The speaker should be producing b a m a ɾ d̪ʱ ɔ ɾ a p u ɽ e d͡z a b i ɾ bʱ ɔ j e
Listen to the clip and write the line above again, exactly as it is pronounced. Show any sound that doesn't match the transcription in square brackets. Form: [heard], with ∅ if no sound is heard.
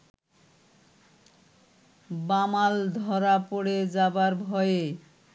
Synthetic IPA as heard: b a m a [l] d̪ʱ ɔ ɾ a p [o] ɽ e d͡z a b [a] ɾ bʱ ɔ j e

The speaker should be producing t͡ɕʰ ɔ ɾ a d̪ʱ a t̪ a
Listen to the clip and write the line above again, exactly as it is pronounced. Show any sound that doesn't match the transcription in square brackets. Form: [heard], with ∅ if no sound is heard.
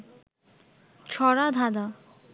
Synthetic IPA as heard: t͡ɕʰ ɔ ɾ a d̪ʱ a [d̪] a

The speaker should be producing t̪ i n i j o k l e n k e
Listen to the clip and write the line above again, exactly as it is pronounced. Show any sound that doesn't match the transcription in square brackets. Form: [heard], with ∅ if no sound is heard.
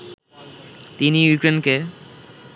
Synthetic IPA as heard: t̪ i n i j [u] k [ɾ] e n k e

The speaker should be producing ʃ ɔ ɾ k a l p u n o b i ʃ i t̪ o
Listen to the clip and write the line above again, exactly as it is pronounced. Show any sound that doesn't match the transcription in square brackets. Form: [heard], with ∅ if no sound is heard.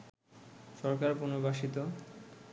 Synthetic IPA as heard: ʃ ɔ ɾ k a [ɾ] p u n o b [a] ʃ i t̪ o

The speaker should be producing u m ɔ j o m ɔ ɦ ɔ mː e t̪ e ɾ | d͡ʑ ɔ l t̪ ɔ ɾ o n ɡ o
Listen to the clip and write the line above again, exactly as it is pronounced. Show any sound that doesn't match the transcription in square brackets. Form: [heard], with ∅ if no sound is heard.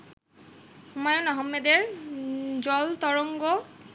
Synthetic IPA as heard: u m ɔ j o [n] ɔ ɦ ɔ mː e [d̪] e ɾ | d͡ʑ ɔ l t̪ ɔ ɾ o [ŋ] ɡ o

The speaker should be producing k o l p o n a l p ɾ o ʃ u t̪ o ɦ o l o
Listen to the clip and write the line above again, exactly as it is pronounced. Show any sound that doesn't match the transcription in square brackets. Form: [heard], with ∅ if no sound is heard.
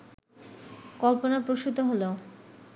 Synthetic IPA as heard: k [ɔ] l p o n a [ɾ] p ɾ o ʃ u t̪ o ɦ o l o

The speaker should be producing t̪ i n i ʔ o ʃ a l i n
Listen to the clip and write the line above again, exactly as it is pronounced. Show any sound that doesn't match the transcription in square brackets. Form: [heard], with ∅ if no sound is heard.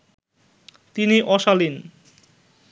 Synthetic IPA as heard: t̪ i n i ʔ [ɔ] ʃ a l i n

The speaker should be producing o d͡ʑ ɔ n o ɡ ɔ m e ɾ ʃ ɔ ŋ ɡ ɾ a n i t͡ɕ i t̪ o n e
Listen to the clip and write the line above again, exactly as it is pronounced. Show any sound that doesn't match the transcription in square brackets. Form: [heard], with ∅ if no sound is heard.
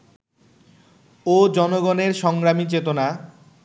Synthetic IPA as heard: o d͡ʑ ɔ n o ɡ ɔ [n] e ɾ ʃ ɔ ŋ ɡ ɾ a [m] i t͡ɕ [e] t̪ o n [a]

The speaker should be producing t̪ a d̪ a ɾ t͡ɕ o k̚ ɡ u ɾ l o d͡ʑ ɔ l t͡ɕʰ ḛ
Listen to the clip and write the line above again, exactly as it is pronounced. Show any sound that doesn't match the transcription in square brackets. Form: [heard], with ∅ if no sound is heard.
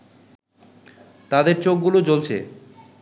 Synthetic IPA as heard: t̪ a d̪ [e] ɾ t͡ɕ o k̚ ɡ u [∅] l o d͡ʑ [o] l t͡ɕʰ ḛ

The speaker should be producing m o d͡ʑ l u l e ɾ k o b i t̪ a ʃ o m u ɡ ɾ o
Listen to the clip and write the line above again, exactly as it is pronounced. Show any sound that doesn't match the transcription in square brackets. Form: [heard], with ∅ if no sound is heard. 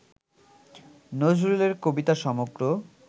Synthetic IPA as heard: [n] o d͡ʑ [ɾ] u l e ɾ k o b i t̪ a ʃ [ɔ] m [o] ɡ ɾ o

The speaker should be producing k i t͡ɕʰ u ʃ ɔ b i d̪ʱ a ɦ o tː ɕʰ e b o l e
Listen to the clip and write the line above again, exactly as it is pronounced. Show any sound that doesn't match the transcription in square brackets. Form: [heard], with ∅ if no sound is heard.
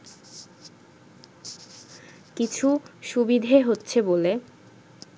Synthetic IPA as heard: k i t͡ɕʰ u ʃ [u] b i d̪ʱ [e] ɦ o tː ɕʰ e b o l e

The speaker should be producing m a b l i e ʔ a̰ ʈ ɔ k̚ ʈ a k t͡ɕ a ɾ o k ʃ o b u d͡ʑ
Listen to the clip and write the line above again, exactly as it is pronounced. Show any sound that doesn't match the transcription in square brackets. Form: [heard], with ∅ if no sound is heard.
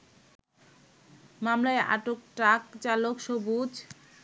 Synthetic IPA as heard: m a [m] l [a] e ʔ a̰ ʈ [o] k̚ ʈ a k t͡ɕ a [l] o k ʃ o b u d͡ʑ

